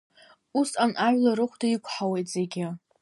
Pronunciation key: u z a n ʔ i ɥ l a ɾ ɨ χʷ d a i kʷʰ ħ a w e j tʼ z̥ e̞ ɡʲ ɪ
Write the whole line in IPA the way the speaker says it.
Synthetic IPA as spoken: u s a n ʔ a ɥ l a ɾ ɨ χʷ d a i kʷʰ ħ a w e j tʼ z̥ e̞ ɡʲ ɪ